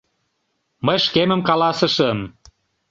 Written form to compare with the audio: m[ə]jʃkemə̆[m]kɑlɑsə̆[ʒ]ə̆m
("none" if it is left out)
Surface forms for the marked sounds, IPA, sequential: ə, m, ʃ

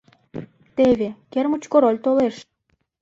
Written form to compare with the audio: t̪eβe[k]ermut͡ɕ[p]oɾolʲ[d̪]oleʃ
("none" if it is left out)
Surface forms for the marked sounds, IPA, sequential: k, k, t̪

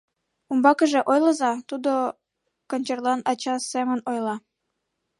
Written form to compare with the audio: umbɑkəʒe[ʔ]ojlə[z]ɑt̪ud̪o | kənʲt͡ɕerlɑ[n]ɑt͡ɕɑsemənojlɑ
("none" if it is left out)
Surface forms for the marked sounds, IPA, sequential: ʔ, z, n

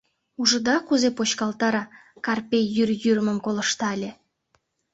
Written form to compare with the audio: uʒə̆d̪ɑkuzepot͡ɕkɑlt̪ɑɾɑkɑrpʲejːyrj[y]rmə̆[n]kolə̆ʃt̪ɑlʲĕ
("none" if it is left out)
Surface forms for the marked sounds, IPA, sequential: y, m

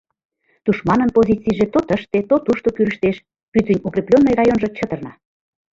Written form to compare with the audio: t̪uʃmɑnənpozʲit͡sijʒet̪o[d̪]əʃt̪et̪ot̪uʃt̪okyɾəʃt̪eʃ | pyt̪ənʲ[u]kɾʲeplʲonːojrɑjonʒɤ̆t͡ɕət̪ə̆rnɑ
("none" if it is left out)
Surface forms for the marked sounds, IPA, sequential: t̪, u

